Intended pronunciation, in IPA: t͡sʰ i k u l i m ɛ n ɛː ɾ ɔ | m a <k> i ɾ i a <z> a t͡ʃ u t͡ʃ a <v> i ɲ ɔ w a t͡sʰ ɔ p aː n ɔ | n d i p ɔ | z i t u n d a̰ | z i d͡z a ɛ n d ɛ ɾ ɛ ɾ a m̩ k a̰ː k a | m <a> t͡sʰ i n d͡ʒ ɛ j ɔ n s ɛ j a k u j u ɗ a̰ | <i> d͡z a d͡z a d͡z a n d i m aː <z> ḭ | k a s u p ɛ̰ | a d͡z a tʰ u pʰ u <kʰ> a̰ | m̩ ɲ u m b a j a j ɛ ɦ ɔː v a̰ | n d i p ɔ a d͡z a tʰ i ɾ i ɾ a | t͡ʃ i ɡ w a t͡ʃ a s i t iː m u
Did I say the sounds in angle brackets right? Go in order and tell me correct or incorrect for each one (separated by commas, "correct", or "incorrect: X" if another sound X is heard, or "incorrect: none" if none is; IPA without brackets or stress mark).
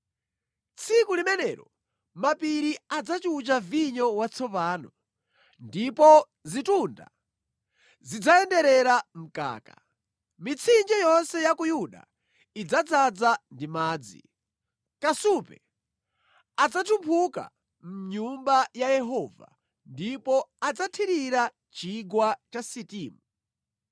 incorrect: p, incorrect: d͡z, correct, incorrect: i, correct, incorrect: d͡z, incorrect: k